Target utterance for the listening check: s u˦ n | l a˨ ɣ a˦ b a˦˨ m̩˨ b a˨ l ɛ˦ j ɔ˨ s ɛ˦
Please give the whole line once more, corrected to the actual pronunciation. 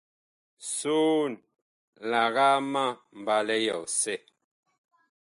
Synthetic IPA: s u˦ n | l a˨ ɣ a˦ m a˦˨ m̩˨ b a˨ l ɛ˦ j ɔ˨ s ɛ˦